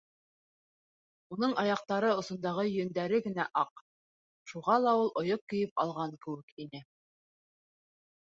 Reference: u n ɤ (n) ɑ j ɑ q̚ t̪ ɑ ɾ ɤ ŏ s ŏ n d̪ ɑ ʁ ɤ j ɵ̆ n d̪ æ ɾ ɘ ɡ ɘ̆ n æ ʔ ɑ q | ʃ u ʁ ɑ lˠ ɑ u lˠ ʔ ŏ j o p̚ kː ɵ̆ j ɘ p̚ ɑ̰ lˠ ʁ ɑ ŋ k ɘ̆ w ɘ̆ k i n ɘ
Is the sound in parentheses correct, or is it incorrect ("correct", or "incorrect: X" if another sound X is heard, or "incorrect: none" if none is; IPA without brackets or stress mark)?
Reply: incorrect: ɴ